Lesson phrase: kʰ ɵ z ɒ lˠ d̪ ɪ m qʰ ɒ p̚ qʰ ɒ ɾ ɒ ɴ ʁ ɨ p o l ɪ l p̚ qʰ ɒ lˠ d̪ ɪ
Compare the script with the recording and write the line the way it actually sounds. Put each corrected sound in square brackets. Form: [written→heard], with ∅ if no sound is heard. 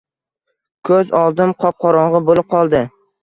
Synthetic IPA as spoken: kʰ ɵ z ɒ lˠ d̪ ɪ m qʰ ɒ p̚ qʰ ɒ ɾ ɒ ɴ ʁ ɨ [p→b] o l ɪ [l→∅] p̚ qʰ ɒ lˠ d̪ ɪ